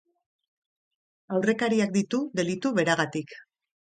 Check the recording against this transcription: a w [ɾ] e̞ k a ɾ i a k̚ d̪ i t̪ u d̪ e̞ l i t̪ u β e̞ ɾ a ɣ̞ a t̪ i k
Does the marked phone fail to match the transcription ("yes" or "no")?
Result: yes